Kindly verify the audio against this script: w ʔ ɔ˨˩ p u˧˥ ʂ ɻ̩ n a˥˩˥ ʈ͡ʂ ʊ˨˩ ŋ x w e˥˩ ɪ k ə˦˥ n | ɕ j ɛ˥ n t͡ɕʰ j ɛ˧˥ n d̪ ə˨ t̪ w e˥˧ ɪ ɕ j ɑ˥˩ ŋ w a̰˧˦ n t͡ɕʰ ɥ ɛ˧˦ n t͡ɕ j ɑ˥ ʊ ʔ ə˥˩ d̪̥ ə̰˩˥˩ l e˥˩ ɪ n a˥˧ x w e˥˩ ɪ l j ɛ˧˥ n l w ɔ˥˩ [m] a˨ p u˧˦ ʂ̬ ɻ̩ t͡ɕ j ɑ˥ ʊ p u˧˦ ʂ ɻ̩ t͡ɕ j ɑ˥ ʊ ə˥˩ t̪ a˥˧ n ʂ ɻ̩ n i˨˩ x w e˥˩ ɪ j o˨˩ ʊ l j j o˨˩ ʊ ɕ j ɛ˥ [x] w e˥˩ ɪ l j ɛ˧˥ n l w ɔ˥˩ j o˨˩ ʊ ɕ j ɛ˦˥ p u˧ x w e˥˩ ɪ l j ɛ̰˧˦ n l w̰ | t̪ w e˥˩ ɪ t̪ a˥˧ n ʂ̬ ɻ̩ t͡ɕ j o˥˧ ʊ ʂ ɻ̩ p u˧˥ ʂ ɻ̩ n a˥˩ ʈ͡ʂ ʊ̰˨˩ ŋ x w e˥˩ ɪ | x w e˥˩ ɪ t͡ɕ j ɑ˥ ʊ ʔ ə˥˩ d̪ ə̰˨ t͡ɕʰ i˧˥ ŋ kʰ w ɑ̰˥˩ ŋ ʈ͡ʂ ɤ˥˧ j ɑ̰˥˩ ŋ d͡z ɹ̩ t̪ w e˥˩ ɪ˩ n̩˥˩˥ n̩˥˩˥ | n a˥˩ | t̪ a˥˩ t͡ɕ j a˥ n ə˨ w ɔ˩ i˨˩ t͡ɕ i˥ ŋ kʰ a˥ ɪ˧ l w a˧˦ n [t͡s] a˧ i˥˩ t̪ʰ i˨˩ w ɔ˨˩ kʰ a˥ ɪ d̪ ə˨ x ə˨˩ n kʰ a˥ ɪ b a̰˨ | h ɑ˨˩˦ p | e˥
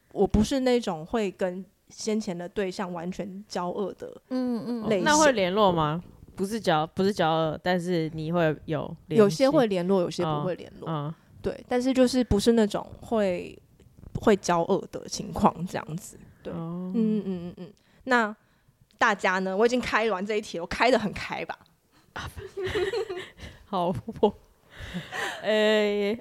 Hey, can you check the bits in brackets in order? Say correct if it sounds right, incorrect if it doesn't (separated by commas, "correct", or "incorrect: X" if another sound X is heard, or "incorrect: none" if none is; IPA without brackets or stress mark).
correct, correct, correct